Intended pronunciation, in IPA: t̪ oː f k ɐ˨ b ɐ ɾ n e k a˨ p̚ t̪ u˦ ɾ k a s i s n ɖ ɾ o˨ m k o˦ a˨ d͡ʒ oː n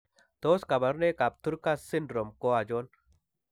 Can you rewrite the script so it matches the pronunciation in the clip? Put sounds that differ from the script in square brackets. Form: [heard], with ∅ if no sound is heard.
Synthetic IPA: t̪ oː [s] k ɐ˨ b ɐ ɾ n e k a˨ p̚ t̪ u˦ ɾ k a s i [∅] n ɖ ɾ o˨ m k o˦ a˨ d͡ʒ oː n